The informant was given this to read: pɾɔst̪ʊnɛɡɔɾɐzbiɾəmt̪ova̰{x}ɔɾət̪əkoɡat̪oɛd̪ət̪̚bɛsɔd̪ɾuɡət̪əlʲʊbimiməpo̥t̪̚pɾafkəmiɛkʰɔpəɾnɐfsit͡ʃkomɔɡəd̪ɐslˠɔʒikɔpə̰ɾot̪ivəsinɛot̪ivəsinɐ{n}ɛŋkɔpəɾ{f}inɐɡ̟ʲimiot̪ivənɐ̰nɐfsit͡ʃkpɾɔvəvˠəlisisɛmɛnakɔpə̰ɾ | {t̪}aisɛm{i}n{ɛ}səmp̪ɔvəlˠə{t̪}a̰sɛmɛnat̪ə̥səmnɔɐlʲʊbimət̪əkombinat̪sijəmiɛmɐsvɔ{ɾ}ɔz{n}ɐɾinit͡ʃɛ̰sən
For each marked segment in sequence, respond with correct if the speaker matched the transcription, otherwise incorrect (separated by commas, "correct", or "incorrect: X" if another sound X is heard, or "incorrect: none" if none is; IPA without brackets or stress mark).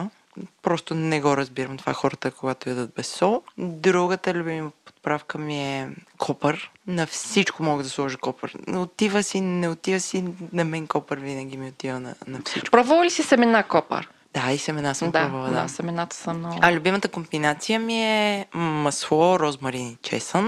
correct, incorrect: m, incorrect: v, incorrect: d̪, incorrect: ɛ, incorrect: a, incorrect: d̪, correct, incorrect: m